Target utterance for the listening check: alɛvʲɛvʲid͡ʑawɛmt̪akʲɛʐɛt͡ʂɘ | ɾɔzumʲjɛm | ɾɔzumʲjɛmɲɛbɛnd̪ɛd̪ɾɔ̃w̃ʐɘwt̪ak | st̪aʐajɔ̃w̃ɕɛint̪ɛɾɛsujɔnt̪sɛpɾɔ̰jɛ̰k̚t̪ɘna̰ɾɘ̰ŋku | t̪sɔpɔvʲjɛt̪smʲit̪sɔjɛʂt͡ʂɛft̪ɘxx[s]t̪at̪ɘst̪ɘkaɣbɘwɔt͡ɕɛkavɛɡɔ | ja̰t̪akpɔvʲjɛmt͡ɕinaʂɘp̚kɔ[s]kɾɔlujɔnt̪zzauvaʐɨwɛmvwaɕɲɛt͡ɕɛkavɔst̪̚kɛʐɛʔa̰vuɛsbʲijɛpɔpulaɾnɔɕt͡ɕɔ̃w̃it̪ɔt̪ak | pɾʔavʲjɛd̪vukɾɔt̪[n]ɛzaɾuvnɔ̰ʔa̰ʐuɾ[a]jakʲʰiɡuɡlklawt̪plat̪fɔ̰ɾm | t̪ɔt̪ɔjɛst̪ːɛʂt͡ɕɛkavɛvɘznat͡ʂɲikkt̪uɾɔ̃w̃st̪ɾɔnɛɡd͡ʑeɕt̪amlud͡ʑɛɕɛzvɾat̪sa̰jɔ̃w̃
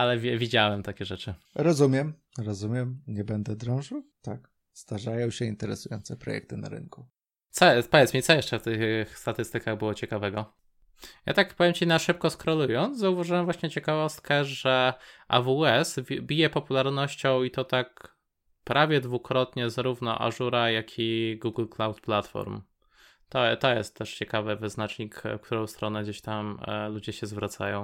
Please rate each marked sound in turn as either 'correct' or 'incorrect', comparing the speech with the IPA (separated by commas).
correct, correct, incorrect, correct